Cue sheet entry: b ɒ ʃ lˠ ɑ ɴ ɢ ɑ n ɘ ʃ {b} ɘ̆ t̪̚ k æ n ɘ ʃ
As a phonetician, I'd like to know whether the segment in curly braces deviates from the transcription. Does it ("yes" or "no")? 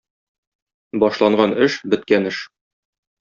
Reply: no